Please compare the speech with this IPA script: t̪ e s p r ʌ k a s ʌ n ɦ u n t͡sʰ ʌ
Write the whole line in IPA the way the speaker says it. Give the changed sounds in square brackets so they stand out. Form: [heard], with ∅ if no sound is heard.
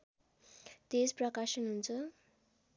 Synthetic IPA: t̪ e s p r ʌ k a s ʌ n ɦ u n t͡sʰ ʌ

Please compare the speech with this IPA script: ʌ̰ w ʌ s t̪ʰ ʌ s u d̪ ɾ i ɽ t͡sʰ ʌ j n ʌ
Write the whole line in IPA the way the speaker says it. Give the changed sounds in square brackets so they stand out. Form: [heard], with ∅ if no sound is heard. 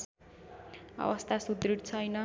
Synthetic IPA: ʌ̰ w ʌ s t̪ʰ [a] s u d̪ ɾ i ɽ t͡sʰ ʌ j n ʌ

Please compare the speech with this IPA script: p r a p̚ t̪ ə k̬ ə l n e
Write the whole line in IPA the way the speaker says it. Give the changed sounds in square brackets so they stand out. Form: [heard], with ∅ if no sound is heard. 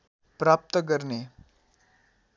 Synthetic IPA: p [ɾ] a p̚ t̪ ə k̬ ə [ɾ] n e

